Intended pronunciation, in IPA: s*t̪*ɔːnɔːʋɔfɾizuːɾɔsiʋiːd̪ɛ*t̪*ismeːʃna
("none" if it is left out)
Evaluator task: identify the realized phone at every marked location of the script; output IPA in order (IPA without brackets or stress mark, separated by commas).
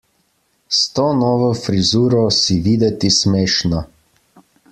t̪, t̪